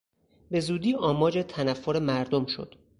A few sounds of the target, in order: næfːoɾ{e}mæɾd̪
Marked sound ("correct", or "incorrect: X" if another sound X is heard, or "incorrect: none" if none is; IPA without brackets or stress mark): correct